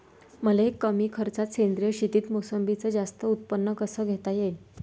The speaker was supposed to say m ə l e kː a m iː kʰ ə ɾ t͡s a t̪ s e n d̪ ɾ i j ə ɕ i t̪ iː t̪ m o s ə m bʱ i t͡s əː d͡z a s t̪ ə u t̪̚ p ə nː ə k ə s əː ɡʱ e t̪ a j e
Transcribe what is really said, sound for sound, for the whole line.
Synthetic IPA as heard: m ə l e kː ə m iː kʰ ə ɾ t͡s a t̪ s e n d̪ ɾ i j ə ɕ i t̪ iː t̪ m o s ə m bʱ i t͡s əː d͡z a s t̪ ə u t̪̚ p ə nː ə k ə s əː ɡʱ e t̪ a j e